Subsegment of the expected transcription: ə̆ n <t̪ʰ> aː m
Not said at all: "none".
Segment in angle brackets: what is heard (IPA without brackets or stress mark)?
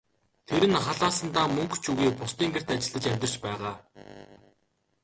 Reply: t̪